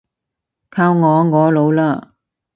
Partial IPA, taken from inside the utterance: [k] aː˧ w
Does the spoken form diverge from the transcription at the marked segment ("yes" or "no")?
yes